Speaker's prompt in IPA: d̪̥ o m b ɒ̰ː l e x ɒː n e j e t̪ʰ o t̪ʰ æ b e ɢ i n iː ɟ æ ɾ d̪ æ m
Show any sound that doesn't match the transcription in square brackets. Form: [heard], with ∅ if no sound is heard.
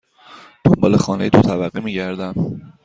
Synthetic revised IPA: d̪̥ o m b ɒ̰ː l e x ɒː n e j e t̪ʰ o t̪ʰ æ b [æ] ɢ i [m] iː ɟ æ ɾ d̪ æ m